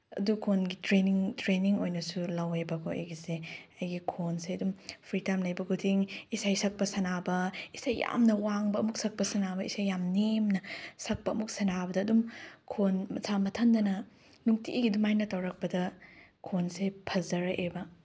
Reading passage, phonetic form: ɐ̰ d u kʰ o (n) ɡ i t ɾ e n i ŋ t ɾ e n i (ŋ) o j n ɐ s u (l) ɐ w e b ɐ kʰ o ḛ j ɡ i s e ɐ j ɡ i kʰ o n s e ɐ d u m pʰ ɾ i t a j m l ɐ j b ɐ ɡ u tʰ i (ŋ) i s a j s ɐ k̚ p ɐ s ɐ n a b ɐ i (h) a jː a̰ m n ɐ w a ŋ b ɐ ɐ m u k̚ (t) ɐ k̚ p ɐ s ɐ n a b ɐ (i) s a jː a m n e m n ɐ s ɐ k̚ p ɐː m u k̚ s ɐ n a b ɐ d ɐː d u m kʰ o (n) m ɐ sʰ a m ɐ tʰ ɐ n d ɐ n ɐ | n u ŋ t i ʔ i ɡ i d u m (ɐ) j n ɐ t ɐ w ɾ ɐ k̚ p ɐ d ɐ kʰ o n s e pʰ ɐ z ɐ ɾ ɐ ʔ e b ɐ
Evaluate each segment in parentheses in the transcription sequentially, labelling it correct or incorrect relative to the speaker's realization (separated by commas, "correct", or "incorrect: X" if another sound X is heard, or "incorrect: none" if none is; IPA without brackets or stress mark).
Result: correct, correct, correct, correct, incorrect: s, incorrect: s, correct, correct, incorrect: a